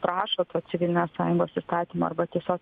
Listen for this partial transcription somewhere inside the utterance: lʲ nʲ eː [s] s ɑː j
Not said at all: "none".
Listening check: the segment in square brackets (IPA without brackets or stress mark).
s